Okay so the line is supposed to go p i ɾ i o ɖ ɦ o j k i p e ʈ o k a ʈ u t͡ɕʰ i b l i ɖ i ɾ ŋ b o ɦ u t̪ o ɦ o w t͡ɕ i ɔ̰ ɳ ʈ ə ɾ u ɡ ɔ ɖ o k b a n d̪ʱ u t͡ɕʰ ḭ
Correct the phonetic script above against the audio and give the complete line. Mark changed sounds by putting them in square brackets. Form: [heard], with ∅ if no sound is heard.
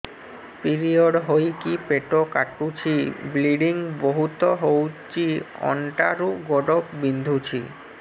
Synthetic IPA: p i ɾ i o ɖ ɦ o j k i p e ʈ o k a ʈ u t͡ɕʰ i b l i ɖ i [∅] ŋ b o ɦ u t̪ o ɦ o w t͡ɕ i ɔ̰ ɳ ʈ [a] ɾ u ɡ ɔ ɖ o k b [i] n d̪ʱ u t͡ɕʰ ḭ